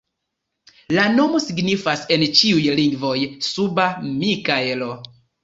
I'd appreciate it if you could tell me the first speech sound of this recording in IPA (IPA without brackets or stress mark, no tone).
l